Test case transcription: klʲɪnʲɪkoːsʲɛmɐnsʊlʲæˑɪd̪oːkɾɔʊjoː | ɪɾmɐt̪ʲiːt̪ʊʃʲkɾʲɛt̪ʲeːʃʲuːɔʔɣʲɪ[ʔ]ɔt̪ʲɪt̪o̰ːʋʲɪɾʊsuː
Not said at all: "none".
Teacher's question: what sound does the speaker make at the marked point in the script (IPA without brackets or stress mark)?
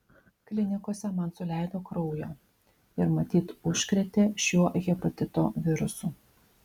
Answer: p